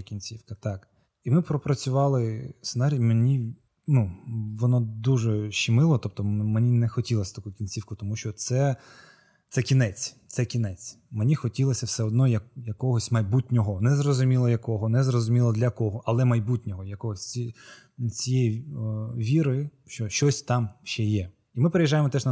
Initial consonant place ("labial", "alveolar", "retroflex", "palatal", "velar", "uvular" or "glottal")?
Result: velar